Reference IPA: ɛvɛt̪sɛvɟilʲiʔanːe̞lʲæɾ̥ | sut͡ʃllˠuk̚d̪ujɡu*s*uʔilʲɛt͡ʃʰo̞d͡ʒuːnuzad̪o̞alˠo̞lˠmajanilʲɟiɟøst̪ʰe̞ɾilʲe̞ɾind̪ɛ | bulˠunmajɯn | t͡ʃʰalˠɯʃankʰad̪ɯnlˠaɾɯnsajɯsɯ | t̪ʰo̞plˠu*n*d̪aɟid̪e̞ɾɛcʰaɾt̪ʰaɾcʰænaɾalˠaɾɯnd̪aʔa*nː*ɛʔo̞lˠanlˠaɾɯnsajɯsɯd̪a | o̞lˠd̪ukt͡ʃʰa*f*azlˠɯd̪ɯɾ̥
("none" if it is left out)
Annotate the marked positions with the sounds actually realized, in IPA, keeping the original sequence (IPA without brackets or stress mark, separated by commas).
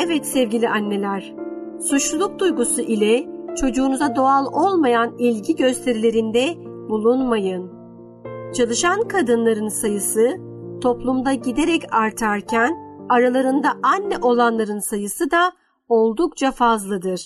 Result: s, m, nː, f